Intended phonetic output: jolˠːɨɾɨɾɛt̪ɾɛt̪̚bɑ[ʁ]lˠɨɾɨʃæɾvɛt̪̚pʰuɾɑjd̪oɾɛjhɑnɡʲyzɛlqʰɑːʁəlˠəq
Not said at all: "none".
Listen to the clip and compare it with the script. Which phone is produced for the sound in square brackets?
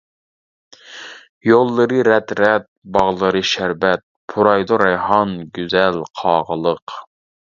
ʁ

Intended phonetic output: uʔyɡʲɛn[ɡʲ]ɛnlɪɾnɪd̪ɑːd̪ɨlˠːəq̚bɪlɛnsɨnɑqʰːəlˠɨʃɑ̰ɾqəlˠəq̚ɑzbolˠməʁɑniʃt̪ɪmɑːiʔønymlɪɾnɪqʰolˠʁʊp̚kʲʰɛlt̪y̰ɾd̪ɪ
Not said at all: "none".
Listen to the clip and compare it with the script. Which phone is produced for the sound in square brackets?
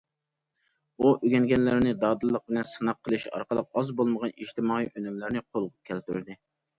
ɡʲ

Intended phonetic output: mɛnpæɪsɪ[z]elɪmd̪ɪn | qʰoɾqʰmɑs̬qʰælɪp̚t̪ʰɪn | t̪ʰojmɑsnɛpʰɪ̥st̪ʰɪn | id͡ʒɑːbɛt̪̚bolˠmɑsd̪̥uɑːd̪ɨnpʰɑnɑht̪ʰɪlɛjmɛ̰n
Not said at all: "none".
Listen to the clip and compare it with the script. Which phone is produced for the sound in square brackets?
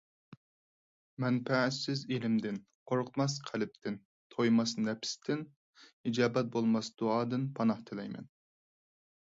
z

